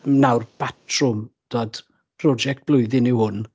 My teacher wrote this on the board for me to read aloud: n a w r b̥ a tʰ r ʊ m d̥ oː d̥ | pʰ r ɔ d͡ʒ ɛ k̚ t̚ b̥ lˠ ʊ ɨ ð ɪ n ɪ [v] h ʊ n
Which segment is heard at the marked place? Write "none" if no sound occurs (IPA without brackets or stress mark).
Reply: w